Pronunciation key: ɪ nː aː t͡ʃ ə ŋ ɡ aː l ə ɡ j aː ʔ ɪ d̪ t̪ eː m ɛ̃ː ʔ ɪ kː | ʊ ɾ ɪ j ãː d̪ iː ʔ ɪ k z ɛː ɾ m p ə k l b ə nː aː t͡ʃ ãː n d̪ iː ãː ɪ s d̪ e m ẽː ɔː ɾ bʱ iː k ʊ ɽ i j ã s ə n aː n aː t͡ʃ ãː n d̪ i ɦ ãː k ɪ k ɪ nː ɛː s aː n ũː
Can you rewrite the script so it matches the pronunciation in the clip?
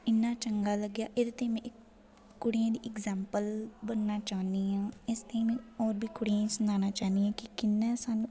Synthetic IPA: ɪ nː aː t͡ʃ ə ŋ ɡ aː l ə ɡ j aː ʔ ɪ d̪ t̪ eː m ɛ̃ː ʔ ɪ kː | ʊ ɽ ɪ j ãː d̪ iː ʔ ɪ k z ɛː m p ə l b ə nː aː t͡ʃ aː n d̪ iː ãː ɪ s t̪ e m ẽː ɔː ɾ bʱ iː k ʊ ɽ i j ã s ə n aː n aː t͡ʃ aː n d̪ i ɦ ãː k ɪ k ɪ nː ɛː s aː n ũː